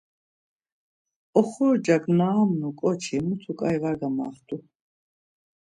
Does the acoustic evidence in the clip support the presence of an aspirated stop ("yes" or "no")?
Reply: yes